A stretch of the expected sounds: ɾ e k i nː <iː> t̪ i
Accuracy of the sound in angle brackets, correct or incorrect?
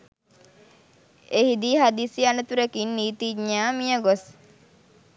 correct